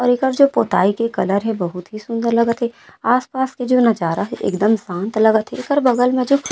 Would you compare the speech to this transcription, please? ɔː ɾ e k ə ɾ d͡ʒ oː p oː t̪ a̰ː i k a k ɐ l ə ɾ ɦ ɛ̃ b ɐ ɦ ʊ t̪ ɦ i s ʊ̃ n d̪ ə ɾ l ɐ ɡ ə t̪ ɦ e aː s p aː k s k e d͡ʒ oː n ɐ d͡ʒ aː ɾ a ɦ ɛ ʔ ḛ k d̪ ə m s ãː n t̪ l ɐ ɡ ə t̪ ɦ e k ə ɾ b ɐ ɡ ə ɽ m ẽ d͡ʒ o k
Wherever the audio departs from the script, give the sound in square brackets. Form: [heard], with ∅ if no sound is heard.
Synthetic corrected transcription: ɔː ɾ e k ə ɾ d͡ʒ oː p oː t̪ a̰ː i k [e] k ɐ l ə ɾ ɦ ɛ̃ b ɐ ɦ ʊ t̪ ɦ i s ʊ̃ n d̪ ə ɾ l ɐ ɡ ə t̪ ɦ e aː s p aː [∅] s k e d͡ʒ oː n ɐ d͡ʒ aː ɾ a ɦ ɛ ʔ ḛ k d̪ ə m s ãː n t̪ l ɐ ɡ ə t̪ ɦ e k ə ɾ b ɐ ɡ ə [l] m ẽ d͡ʒ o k